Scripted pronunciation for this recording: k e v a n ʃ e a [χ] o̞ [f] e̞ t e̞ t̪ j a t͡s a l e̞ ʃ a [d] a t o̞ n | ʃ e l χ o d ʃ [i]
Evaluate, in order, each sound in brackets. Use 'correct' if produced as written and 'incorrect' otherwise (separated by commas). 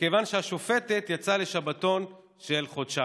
incorrect, correct, incorrect, incorrect